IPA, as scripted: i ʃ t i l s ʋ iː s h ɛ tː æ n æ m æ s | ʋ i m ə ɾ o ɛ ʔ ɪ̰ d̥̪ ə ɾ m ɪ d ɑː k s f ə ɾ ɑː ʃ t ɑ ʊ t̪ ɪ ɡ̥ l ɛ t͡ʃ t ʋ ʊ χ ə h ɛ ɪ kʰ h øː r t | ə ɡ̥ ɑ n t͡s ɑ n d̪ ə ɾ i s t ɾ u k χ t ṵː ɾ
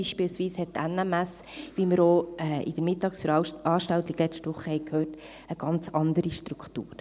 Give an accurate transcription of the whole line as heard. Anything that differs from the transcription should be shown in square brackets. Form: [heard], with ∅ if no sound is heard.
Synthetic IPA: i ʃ [p] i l s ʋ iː s h ɛ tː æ n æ m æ s | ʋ i m ə ɾ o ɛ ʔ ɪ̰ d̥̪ ə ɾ m ɪ [t] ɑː k s f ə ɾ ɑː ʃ t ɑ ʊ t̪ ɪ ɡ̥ l ɛ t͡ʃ t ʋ ʊ χ ə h ɛ ɪ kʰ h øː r t | ə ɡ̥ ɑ n t͡s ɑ n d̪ ə ɾ i [ʃ] t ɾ u k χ t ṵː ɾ